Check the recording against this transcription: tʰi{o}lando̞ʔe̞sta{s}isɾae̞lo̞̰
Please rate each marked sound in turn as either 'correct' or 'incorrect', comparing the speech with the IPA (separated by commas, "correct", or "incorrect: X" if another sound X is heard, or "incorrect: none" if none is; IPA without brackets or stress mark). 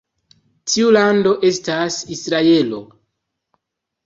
incorrect: u, correct